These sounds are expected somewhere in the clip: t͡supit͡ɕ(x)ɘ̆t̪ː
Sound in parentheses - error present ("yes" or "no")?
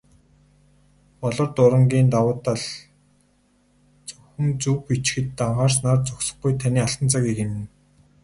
no